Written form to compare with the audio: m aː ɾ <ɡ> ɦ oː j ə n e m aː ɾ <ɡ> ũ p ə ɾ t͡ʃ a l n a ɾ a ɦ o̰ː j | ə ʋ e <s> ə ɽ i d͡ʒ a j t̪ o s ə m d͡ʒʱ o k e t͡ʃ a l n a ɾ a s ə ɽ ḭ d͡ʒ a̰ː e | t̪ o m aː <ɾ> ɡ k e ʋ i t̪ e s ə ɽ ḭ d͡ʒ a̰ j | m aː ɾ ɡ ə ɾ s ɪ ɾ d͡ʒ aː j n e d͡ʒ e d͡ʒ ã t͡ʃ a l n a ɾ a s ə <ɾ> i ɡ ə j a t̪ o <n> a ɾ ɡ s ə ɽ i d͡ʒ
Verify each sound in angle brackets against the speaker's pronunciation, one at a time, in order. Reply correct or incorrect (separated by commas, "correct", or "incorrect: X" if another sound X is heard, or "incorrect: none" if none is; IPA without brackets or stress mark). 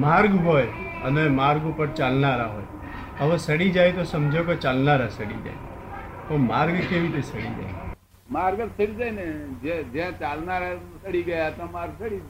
correct, correct, correct, correct, incorrect: ɽ, incorrect: m